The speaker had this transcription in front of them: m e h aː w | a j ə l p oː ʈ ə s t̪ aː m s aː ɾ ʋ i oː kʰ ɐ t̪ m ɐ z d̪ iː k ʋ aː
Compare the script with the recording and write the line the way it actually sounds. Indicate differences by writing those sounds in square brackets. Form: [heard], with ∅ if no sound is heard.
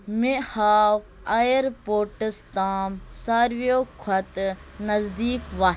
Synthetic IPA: m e h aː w | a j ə [ɾ] p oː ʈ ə s t̪ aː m s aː ɾ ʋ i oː kʰ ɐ t̪ [n] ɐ z d̪ iː k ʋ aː